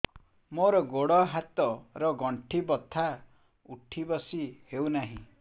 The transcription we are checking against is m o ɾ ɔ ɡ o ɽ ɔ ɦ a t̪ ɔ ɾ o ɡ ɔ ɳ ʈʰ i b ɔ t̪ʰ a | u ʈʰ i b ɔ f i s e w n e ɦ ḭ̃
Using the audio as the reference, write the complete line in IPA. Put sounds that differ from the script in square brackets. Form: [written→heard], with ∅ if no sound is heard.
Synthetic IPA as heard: m o ɾ ɔ ɡ o ɽ ɔ ɦ a t̪ ɔ ɾ [o→ɔ] ɡ ɔ ɳ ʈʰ i b ɔ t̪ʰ a | u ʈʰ i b ɔ [f→s] i [s→h] e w n [e→a] ɦ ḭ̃